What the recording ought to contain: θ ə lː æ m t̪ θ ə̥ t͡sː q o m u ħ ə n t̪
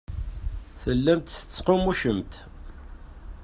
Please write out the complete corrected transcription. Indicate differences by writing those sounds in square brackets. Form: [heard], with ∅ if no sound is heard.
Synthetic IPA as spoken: θ ə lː æ m t̪ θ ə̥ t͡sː q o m u [ʃ] ə [m] t̪